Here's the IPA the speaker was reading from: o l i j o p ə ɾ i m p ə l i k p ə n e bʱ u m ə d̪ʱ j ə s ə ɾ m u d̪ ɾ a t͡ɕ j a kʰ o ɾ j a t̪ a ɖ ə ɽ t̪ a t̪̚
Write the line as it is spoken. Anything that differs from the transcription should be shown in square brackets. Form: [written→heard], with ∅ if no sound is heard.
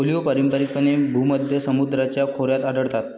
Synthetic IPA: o l i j o p ə ɾ i m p ə [l→ɾ] i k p ə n e bʱ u m ə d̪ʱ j ə s ə [ɾ→∅] m u d̪ ɾ a t͡ɕ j a kʰ o ɾ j a t̪ a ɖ ə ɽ t̪ a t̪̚